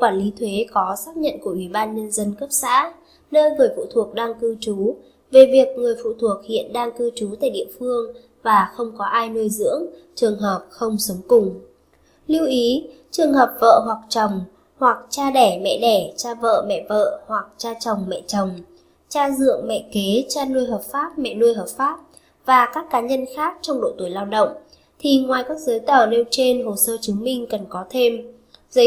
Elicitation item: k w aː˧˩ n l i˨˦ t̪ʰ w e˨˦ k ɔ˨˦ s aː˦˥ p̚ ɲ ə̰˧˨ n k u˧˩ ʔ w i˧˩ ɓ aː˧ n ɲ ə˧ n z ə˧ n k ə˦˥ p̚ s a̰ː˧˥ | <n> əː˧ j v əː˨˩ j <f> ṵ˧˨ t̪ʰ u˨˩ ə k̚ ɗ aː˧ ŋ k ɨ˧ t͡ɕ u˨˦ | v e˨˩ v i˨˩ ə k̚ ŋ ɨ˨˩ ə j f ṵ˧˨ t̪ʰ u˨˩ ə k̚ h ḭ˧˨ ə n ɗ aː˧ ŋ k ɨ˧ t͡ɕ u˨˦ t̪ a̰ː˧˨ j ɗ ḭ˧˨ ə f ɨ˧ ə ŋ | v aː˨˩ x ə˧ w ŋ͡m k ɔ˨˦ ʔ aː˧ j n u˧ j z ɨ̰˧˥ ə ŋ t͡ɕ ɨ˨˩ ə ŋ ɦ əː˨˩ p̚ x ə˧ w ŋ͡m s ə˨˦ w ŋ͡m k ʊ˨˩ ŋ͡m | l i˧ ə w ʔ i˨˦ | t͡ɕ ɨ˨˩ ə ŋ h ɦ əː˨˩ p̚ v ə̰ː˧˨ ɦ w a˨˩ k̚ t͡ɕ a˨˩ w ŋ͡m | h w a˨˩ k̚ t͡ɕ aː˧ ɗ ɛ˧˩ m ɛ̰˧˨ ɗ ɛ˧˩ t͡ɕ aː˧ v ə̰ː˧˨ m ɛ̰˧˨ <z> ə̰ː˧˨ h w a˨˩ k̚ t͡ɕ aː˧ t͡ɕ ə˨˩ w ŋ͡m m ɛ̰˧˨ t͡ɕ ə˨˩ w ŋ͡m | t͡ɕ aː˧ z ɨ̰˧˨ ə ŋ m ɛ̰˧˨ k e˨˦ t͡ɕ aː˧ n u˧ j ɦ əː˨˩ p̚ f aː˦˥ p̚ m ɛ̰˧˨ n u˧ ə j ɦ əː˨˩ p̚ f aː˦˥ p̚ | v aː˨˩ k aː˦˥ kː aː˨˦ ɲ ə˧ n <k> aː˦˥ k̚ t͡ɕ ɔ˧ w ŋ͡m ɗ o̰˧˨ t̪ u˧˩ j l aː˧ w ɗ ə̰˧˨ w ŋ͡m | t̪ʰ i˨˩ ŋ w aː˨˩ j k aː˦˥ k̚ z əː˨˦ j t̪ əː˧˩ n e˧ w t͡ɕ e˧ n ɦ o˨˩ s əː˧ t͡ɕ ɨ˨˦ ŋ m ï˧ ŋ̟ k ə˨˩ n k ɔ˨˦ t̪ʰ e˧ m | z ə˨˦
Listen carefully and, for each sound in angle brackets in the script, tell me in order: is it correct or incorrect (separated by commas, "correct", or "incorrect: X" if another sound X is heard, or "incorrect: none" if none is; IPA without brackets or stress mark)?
correct, correct, incorrect: v, incorrect: x